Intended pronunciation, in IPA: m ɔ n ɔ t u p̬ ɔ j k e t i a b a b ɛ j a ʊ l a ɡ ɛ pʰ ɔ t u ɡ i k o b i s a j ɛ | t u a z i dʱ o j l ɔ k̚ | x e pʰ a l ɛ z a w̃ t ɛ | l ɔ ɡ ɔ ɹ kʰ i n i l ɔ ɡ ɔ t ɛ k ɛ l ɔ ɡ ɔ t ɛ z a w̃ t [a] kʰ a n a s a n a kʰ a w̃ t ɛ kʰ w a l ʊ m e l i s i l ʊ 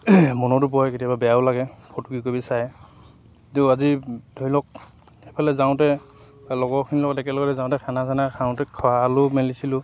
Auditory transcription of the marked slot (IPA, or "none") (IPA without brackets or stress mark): ɛ